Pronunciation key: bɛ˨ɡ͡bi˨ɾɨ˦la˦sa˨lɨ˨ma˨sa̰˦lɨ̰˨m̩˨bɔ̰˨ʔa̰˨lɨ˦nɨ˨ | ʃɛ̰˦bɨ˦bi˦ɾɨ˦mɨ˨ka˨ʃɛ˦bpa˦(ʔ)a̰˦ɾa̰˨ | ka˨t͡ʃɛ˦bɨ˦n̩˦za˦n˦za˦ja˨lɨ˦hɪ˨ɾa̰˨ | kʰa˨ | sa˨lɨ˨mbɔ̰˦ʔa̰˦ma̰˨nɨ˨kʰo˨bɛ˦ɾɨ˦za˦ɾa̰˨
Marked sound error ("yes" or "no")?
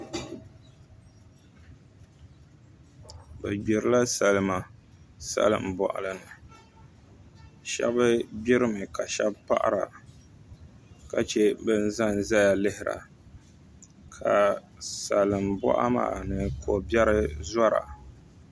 no